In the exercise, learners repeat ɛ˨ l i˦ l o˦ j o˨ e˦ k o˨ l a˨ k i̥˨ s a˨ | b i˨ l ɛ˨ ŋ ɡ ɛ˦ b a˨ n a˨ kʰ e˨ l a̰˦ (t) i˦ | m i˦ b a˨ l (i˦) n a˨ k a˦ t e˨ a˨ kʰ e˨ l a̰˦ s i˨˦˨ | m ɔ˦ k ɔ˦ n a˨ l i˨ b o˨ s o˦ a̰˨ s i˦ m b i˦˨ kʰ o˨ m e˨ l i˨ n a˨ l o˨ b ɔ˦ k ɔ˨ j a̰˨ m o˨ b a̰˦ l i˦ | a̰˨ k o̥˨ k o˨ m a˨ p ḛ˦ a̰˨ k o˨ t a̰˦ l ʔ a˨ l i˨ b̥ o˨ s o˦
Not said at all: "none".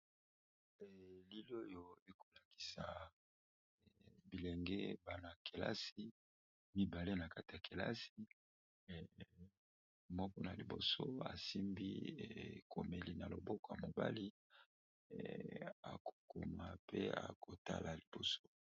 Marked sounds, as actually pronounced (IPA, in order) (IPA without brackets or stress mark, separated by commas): s, e˦